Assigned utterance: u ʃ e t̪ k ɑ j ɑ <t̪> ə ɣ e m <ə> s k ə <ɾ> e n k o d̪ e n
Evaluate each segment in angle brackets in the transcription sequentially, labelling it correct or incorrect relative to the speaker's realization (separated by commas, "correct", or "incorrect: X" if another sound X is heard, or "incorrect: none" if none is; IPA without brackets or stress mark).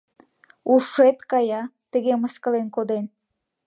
correct, correct, incorrect: l